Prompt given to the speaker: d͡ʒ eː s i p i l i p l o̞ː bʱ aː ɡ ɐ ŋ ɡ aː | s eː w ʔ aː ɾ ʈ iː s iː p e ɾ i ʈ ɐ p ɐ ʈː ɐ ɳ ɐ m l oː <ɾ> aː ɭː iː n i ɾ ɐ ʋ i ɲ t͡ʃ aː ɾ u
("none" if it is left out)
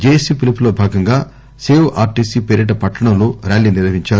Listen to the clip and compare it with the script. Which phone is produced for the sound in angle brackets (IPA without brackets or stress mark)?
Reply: ɾ